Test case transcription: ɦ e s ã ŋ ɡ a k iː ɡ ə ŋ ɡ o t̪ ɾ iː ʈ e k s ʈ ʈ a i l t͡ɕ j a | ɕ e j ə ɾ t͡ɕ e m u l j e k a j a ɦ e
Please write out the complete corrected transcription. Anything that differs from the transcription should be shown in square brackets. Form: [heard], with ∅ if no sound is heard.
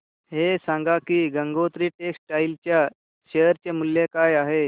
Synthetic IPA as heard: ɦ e s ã ŋ ɡ a k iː ɡ ə ŋ ɡ o t̪ ɾ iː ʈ e k s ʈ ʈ a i l t͡ɕ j a | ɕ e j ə ɾ t͡ɕ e m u l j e k a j a ɦ e